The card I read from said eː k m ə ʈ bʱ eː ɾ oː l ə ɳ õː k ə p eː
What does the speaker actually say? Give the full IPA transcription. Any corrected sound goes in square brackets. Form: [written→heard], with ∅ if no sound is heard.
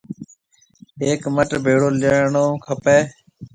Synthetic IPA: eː k m ə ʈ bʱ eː [ɾ→ɽ] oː l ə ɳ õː [k→kʰ] ə p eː